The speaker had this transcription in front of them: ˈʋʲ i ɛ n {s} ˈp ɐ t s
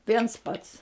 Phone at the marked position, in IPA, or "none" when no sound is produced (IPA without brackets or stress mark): s